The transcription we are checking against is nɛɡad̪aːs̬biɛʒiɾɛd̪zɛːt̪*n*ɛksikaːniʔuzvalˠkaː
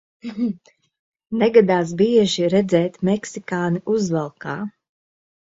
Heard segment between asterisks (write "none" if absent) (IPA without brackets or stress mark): m